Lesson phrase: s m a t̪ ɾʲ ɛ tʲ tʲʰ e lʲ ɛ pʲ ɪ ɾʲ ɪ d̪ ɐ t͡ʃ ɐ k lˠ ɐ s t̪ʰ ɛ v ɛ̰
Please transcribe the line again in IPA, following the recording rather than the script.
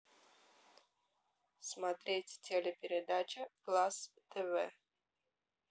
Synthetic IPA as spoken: s m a t̪ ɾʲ e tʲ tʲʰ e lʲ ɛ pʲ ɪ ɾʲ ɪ d̪ a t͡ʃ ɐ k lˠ a s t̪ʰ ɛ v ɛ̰